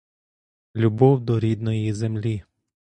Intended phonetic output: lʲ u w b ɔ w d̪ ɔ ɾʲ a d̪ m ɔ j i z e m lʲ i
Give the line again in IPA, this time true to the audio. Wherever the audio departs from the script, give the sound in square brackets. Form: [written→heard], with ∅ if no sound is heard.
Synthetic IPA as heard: lʲ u [w→∅] b ɔ w d̪ ɔ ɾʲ [a→i] d̪ [m→n] ɔ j i z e m lʲ i